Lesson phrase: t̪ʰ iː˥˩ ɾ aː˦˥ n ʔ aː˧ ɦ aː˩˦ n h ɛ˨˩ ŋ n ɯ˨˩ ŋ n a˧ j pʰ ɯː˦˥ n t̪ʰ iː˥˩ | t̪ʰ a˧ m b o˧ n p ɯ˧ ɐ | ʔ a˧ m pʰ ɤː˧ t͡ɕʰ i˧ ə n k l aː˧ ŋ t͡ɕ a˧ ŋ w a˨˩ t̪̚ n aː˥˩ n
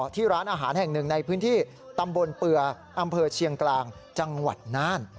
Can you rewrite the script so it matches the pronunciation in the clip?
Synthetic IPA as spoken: t̪ʰ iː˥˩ ɾ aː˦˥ n ʔ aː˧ ɦ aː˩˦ n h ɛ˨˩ ŋ n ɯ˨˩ ŋ n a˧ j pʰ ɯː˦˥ n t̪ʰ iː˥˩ | t̪ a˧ m b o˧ n p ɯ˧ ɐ | ʔ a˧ m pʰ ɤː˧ t͡ɕʰ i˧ ə ŋ k l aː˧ ŋ t͡ɕ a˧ ŋ w a˨˩ t̪̚ n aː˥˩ n